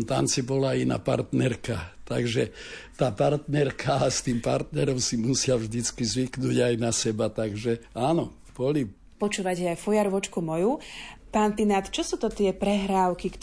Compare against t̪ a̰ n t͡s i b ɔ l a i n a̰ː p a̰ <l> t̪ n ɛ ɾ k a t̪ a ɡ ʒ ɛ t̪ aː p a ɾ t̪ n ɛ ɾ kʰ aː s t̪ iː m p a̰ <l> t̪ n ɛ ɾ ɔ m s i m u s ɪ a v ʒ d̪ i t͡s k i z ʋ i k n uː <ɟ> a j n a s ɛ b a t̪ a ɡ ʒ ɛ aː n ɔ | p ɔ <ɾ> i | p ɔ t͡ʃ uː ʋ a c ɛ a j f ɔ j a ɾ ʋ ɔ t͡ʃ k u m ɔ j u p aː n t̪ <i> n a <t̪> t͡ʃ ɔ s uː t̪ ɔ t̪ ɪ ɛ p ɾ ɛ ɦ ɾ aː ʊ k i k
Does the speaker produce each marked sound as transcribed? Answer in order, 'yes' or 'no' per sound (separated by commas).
no, no, yes, no, yes, yes